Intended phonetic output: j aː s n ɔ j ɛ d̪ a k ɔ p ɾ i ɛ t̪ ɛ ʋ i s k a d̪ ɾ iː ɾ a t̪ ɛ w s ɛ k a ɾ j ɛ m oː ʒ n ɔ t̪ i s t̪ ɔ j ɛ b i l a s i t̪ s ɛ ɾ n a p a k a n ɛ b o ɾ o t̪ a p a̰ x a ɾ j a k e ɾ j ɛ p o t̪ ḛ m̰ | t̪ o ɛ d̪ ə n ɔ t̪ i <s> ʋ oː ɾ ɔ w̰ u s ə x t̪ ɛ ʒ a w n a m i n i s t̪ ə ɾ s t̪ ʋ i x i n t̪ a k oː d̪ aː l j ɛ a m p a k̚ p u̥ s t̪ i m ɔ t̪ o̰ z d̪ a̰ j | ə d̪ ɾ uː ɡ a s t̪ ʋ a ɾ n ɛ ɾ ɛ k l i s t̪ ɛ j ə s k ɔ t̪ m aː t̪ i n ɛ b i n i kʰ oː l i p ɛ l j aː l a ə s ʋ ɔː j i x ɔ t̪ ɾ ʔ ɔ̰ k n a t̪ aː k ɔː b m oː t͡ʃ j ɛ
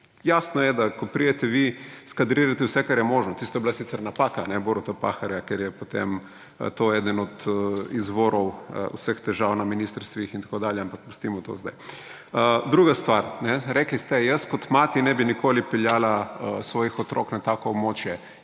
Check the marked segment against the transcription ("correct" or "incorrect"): incorrect